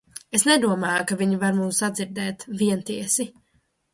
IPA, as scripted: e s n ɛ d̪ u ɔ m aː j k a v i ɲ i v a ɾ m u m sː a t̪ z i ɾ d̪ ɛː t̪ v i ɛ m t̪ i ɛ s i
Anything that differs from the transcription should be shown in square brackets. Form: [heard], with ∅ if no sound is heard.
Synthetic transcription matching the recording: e s n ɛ d̪ u ɔ m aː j k a v i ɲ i v a ɾ m u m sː a [d̪] z i ɾ d̪ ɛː t̪ v i ɛ [n] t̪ i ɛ s i